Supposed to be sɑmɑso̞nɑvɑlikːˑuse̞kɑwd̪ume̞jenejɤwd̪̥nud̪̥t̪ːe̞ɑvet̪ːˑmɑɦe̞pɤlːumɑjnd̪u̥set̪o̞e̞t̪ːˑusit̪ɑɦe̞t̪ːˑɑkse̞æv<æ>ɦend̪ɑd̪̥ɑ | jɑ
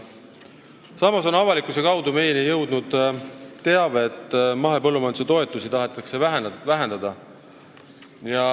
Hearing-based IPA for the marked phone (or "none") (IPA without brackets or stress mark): æ